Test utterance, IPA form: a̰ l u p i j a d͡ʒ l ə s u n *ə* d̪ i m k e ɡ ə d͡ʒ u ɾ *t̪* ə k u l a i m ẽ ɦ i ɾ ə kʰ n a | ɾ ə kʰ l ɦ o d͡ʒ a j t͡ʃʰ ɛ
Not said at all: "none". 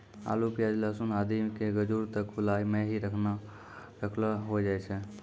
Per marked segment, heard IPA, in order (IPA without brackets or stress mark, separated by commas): a, t̪